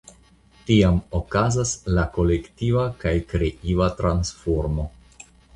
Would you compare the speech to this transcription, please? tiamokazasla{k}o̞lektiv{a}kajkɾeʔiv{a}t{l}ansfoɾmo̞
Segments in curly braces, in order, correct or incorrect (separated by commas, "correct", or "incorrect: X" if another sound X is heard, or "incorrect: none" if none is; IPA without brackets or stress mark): correct, correct, correct, incorrect: ɾ